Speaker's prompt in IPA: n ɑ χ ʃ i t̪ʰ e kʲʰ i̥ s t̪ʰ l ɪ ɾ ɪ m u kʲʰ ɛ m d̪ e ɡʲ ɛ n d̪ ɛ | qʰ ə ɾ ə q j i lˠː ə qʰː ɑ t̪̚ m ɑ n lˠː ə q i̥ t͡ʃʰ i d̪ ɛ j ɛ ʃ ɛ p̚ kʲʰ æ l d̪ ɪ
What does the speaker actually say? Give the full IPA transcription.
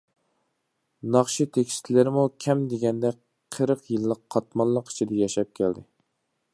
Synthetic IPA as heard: n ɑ χ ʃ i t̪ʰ e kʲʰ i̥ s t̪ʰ l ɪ ɾ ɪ m u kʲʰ ɛ m d̪ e ɡʲ ɛ n d̪ ɛ | qʰ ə ɾ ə q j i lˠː ə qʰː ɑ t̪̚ m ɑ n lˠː ə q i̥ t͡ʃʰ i d̪ ɛ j ɛ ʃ ɛ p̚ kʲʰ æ l d̪ ɪ

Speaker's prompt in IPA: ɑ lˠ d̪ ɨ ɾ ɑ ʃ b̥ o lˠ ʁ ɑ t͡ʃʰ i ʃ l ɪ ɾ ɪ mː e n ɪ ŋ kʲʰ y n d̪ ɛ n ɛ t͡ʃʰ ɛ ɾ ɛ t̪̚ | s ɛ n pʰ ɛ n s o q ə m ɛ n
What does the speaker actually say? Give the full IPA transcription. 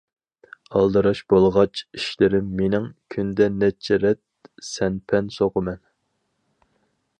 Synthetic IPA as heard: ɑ lˠ d̪ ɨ ɾ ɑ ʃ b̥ o lˠ ʁ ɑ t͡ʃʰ i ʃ l ɪ ɾ ɪ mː e n ɪ ŋ kʲʰ y n d̪ ɛ n ɛ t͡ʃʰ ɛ ɾ ɛ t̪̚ | s ɛ n pʰ ɛ n s o q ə m ɛ n

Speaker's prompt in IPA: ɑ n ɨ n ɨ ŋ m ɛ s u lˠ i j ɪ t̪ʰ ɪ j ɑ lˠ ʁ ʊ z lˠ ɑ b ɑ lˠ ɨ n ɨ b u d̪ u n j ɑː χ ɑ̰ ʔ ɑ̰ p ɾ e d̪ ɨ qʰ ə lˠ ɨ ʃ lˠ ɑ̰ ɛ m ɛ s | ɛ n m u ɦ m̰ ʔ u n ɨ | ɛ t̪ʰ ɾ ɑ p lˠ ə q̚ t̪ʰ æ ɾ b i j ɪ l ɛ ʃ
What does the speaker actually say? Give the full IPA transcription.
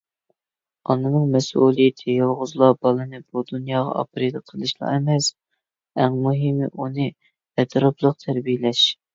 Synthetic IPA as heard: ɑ n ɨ n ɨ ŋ m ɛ s u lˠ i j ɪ t̪ʰ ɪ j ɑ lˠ ʁ ʊ z lˠ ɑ b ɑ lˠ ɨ n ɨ b u d̪ u n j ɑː ʁ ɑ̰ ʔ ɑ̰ p ɾ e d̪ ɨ qʰ ə lˠ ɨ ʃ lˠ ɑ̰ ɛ m ɛ s | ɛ ŋ m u ɦ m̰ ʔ u n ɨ | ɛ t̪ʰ ɾ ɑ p lˠ ə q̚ t̪ʰ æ ɾ b i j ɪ l ɛ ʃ

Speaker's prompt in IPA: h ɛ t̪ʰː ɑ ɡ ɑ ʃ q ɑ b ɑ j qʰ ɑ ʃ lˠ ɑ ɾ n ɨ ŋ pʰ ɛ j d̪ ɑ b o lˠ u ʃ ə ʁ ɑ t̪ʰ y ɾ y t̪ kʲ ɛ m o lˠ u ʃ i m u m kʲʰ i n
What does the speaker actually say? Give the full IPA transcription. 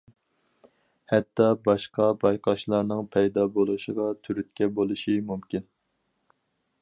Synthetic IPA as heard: h ɛ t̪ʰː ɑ b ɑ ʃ q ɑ b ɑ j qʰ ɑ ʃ lˠ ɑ ɾ n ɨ ŋ pʰ ɛ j d̪ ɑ b o lˠ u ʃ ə ʁ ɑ t̪ʰ y ɾ y t̪ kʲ ɛ b o lˠ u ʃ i m u m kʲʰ i n

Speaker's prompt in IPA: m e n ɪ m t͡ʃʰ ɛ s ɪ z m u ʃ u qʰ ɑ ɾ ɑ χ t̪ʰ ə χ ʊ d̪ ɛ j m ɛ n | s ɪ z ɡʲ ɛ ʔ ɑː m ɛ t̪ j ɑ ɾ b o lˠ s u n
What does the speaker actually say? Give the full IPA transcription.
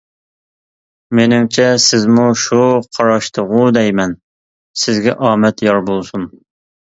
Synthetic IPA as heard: m e n ɪ m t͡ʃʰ ɛ s ɪ z m u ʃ u qʰ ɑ ɾ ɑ ʃ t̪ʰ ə ʁ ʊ d̪ ɛ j m ɛ n | s ɪ z ɡʲ ɛ ʔ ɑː m ɛ t̪ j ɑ ɾ b o lˠ s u n

